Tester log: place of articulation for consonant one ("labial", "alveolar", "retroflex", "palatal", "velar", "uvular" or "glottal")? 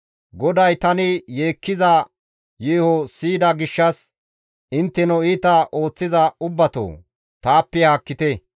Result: velar